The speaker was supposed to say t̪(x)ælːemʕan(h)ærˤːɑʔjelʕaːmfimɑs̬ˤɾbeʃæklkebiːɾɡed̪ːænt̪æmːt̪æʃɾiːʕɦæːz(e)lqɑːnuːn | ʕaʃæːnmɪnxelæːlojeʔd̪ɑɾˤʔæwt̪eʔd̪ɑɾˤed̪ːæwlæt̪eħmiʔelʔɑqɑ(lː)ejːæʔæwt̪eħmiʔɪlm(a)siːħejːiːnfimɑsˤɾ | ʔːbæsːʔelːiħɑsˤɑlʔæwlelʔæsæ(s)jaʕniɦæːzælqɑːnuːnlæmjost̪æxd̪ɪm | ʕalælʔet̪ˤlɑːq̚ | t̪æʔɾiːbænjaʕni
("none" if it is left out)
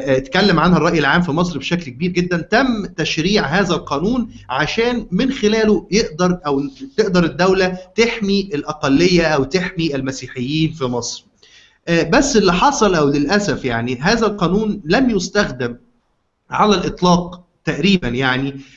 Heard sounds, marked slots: k, h, æ, lː, æ, f

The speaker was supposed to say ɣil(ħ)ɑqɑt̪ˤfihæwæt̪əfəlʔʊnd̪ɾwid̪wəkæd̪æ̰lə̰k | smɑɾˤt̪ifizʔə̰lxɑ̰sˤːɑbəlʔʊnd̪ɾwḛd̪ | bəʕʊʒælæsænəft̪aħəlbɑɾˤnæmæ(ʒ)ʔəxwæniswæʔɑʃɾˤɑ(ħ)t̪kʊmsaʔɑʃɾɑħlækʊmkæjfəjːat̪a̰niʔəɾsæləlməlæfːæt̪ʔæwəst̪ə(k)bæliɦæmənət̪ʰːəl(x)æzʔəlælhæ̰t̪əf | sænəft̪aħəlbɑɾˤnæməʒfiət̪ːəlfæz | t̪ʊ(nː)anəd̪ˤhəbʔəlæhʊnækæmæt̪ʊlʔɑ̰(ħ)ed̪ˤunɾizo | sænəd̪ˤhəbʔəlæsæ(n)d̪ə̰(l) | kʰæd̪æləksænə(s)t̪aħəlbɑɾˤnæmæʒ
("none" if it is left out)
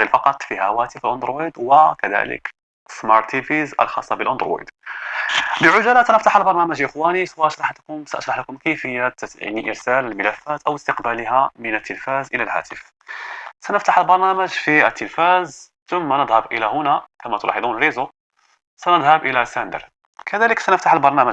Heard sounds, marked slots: f, ʒ, ħ, q, f, mː, ħ, n, ɾ, f

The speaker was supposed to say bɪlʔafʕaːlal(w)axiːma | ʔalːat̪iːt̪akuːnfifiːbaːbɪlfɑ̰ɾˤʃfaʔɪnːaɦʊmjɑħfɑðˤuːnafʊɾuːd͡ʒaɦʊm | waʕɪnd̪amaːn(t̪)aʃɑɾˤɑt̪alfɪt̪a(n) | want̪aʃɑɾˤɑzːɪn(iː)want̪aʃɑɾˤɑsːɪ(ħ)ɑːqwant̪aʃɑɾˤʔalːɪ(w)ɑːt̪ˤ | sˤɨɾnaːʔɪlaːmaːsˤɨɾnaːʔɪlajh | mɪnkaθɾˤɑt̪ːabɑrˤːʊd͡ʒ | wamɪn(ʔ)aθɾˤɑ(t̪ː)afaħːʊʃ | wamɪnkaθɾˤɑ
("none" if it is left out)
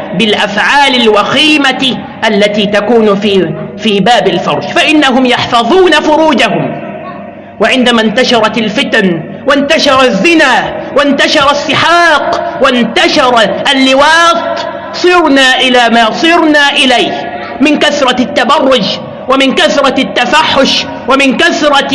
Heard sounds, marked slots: w, t̪, n, aː, ħ, w, k, t̪ː

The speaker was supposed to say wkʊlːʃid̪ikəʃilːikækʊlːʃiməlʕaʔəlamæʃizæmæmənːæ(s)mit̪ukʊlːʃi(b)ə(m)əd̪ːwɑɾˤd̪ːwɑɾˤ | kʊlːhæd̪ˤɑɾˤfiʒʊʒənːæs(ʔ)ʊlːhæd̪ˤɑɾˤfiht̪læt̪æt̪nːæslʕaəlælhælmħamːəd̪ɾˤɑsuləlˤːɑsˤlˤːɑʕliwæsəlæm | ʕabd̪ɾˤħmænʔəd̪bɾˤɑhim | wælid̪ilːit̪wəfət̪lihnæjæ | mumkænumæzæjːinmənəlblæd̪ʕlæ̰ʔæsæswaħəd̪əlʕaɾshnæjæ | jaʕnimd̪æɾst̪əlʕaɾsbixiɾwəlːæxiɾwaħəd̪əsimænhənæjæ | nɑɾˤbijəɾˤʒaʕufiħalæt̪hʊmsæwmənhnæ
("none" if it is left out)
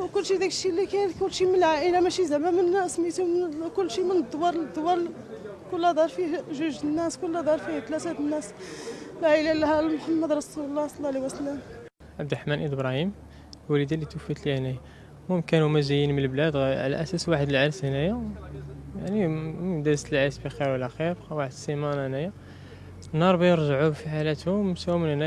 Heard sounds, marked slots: s, m, n, k

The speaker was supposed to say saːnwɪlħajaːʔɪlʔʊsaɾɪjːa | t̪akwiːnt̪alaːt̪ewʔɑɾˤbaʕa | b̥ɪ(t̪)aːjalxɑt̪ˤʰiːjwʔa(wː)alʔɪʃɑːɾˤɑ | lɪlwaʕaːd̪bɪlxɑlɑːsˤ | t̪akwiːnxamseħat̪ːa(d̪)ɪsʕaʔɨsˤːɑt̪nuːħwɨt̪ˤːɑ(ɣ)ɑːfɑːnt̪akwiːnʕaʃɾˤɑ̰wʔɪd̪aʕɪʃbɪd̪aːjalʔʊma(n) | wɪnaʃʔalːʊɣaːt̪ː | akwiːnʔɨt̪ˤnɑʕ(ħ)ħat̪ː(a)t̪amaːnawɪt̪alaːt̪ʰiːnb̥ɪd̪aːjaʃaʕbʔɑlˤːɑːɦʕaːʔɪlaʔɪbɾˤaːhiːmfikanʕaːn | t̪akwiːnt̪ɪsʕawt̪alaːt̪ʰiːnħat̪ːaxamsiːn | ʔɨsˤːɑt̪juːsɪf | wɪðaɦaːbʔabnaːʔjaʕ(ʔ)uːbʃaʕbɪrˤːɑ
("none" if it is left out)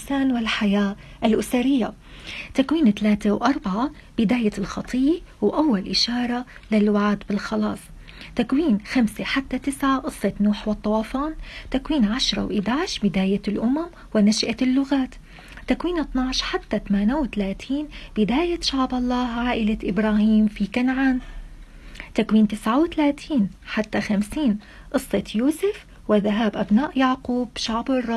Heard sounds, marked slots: d̪, wː, t̪, w, m, ʃ, a, q

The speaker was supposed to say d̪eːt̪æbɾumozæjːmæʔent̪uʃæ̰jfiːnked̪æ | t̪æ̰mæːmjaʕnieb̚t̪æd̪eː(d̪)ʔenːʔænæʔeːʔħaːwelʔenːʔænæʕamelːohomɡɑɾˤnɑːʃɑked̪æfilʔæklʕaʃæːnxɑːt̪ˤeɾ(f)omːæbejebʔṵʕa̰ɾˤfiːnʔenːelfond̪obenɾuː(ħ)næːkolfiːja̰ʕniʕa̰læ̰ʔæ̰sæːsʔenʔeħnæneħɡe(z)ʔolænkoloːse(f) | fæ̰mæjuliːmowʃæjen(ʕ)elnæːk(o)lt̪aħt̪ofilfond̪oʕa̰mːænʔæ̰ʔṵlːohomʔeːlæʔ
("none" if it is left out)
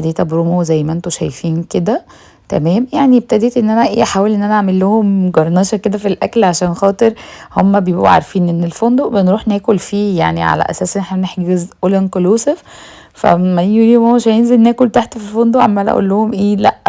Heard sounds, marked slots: t̪, h, ħ, z, f, z, o

